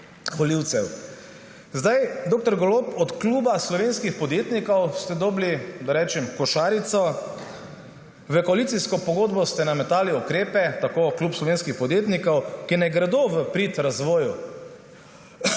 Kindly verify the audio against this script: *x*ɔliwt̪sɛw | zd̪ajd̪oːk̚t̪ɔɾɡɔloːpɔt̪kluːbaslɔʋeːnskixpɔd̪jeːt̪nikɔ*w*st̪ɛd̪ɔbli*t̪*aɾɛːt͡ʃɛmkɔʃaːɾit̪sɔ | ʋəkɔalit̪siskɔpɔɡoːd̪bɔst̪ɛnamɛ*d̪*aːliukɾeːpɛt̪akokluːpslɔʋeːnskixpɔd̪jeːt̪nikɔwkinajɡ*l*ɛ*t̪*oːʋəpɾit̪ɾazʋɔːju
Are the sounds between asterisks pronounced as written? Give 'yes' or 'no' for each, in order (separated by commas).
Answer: yes, yes, no, no, no, no